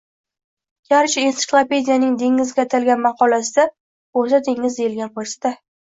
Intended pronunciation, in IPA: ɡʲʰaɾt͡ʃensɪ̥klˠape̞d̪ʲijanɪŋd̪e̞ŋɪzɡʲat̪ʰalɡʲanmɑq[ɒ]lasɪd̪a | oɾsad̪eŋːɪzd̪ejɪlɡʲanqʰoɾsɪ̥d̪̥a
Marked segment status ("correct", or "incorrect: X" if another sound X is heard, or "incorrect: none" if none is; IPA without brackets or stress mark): correct